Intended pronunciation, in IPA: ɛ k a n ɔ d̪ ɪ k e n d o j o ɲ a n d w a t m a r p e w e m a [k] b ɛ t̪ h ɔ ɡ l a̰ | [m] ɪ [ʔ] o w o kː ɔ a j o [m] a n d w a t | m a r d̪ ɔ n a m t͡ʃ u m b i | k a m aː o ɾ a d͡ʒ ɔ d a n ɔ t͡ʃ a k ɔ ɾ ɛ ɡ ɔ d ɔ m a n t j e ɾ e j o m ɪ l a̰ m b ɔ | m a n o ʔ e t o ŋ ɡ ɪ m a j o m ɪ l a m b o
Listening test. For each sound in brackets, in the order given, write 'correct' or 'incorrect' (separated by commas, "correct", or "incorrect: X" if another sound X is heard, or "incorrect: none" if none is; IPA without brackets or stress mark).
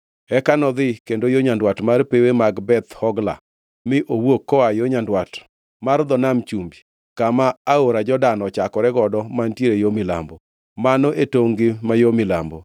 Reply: incorrect: ɡ, correct, correct, incorrect: ɲ